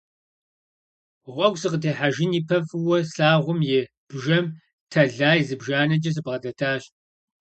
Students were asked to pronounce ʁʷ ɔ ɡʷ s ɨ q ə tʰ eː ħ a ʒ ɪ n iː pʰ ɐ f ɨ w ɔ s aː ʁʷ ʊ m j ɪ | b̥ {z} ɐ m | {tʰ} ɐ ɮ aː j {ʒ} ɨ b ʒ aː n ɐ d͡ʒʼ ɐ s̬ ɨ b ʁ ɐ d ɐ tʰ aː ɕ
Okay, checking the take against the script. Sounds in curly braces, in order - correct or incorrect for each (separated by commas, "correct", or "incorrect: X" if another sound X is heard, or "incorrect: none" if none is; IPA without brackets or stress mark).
incorrect: ʒ, correct, incorrect: z